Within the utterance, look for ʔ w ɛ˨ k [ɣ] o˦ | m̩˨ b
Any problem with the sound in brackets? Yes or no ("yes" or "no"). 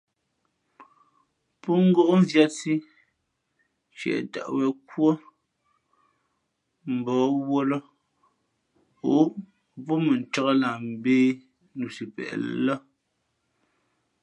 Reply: yes